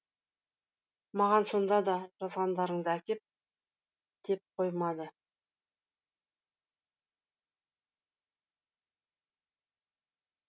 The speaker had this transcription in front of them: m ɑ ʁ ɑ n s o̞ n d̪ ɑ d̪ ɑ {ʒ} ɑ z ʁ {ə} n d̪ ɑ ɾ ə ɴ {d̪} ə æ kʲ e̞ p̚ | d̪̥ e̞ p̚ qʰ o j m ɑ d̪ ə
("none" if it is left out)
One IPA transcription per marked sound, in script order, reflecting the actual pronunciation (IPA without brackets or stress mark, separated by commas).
ʒ, ɑ, d̪